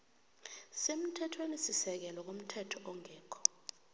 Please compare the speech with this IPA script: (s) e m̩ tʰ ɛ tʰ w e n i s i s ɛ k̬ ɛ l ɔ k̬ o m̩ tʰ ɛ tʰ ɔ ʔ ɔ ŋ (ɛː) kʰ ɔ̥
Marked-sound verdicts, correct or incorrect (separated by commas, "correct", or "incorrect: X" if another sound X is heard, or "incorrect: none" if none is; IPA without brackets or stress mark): correct, correct